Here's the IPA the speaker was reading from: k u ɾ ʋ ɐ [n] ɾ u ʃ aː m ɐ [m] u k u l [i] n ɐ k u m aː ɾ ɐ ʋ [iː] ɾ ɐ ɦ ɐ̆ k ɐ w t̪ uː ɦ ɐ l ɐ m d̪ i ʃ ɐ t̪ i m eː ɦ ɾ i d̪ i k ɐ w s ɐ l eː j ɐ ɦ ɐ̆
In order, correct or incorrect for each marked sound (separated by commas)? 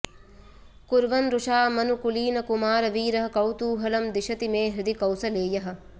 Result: correct, incorrect, incorrect, correct